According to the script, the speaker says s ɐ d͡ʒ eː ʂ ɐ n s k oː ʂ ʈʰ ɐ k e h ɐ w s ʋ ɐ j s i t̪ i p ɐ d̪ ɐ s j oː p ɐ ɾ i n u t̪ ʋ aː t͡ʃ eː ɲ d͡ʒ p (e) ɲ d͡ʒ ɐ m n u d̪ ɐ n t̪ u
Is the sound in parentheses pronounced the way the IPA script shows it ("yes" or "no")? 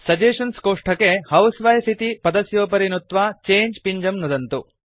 no